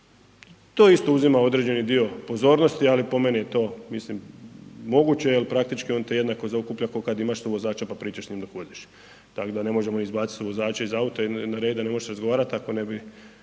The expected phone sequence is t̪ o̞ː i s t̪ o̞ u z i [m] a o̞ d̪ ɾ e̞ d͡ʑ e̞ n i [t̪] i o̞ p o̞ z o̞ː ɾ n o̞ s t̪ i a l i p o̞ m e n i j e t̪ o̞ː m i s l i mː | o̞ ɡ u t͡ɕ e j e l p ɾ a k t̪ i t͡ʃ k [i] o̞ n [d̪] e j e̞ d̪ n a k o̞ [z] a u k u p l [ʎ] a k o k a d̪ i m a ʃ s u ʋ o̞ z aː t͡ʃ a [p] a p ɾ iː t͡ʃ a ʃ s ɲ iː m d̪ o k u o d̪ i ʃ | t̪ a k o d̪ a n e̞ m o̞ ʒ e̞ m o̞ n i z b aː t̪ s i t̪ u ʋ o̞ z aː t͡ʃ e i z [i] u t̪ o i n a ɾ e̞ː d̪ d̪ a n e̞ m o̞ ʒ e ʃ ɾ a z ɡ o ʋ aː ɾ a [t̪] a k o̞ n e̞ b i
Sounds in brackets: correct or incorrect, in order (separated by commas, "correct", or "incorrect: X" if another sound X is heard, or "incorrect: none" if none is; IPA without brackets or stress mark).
correct, incorrect: d̪, correct, incorrect: t̪, correct, correct, correct, incorrect: a, correct